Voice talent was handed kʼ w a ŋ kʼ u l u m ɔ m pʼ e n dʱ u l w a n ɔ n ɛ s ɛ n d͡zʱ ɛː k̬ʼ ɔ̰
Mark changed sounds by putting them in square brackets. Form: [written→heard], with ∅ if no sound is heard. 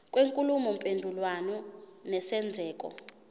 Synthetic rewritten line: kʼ w [a→e] ŋ kʼ u l u m ɔ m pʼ e n dʱ u l w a n ɔ n ɛ s ɛ n d͡zʱ ɛː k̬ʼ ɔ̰